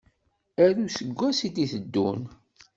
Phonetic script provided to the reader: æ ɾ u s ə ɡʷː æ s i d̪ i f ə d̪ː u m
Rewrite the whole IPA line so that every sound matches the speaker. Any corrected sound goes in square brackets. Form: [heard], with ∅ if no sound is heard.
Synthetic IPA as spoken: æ ɾ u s ə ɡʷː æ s i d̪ i [θ] ə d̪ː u [n]